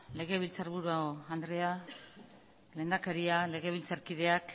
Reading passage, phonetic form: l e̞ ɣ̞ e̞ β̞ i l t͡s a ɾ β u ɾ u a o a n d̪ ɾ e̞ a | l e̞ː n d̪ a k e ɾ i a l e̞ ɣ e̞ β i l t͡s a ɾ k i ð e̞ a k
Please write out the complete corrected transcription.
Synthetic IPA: l e̞ ɣ̞ e̞ β̞ i l t͡s a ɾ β u ɾ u a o a n d̪ ɾ e̞ a | l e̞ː n d̪ a k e ɾ i a l e̞ ɣ e̞ β i l t͡s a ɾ k i ð e̞ a k